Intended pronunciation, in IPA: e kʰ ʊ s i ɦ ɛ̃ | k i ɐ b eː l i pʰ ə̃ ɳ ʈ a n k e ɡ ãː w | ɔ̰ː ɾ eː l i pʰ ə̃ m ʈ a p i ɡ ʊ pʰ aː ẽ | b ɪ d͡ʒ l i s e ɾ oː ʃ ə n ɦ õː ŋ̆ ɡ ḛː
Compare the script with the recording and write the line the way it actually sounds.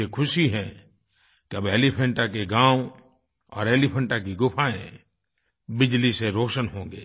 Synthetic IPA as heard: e kʰ ʊ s i ɦ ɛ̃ | k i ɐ b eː l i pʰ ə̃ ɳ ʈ a k e ɡ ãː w | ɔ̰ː ɾ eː l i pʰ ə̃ ɳ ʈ a k i ɡ ʊ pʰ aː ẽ | b ɪ d͡ʒ l i s e ɾ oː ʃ ə n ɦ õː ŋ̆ ɡ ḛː